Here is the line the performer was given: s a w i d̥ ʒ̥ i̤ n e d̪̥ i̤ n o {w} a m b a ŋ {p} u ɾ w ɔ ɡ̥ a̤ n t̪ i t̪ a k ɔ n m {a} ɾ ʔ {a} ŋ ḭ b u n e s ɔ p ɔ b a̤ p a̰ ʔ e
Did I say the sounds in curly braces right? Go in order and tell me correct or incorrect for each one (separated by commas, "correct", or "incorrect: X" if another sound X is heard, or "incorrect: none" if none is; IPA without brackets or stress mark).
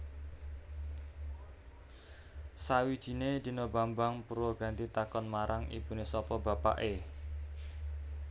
incorrect: b, correct, correct, correct